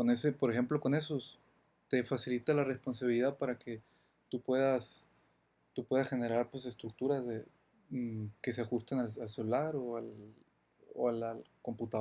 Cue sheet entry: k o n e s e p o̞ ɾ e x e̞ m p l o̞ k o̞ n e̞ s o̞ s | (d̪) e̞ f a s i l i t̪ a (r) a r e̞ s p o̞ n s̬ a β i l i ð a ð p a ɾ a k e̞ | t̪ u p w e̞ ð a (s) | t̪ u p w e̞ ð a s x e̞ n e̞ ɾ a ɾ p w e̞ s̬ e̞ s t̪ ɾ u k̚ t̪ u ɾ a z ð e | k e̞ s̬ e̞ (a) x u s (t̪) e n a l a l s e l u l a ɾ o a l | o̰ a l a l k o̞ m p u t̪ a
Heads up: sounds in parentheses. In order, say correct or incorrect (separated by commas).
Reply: incorrect, incorrect, correct, correct, correct